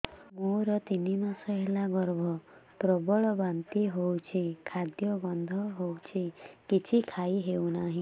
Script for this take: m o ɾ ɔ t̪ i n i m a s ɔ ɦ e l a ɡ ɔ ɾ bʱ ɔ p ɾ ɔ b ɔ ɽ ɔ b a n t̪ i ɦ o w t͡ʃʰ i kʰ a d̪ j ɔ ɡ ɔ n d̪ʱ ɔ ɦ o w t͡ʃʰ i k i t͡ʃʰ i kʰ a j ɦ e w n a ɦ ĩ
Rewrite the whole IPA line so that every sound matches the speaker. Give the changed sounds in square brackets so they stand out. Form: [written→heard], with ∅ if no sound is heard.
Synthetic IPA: m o ɾ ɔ t̪ i n i m a s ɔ ɦ e l a ɡ ɔ ɾ bʱ ɔ p ɾ ɔ b ɔ [ɽ→ɭ] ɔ b a n t̪ i ɦ o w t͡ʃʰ i kʰ a d̪ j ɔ ɡ ɔ n d̪ʱ ɔ ɦ o w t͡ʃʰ i k i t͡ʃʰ i kʰ a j ɦ e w n a ɦ ĩ